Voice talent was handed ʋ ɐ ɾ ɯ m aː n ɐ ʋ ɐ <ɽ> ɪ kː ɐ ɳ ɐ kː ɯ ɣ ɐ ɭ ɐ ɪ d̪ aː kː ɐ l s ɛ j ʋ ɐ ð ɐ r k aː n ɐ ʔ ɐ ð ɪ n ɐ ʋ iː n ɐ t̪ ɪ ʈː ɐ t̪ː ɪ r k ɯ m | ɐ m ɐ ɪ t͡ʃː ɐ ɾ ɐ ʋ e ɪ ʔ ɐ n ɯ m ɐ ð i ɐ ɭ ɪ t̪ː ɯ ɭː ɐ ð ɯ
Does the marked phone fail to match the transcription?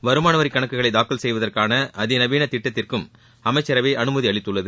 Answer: yes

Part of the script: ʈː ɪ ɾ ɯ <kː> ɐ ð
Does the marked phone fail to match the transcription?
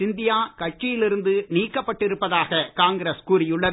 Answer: yes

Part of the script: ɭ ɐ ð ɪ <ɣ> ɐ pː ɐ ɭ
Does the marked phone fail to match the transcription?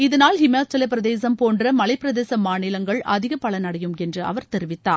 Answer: no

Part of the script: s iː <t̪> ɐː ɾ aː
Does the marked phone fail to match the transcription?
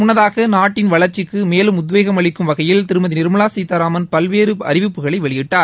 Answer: no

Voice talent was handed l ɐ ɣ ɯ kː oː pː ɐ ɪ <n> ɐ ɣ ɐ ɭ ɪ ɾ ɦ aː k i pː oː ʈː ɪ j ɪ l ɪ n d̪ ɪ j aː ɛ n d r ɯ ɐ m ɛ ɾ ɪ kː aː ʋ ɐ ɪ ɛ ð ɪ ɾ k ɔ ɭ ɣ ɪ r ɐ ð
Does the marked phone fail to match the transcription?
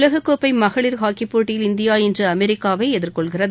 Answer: yes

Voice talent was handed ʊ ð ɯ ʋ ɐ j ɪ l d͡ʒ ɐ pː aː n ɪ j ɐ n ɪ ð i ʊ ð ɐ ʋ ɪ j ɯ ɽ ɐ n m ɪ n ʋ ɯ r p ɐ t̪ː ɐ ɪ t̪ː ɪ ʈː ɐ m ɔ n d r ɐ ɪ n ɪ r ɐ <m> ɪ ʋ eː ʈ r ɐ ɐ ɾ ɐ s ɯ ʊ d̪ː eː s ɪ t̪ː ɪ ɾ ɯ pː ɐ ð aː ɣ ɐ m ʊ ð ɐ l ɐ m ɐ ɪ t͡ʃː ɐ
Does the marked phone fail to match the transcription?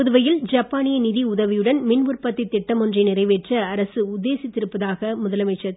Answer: yes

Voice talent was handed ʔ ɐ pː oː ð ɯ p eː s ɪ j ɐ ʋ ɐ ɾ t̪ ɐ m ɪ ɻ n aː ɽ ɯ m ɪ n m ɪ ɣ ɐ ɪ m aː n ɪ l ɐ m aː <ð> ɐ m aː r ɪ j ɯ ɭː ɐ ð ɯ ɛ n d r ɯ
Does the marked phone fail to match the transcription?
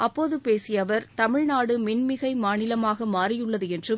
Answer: yes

